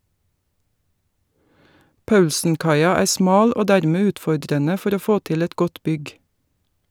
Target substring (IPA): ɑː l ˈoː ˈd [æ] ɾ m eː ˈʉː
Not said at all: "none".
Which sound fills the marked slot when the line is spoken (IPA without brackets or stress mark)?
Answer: æː